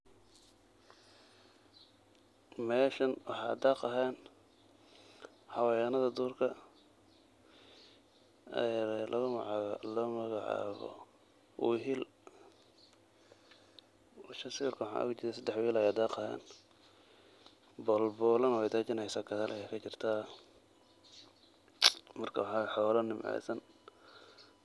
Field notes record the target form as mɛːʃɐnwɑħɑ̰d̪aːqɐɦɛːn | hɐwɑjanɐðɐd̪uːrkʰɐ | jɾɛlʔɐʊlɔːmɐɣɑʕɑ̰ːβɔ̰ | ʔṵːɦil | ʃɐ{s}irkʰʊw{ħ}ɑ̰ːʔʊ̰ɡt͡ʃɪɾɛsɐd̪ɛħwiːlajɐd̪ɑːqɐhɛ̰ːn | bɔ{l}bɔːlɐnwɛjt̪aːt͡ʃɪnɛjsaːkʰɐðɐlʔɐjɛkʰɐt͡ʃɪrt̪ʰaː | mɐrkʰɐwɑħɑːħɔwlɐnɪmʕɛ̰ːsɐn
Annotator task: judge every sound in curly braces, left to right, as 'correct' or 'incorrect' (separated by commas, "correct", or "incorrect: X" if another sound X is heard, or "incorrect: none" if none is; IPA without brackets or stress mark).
correct, correct, correct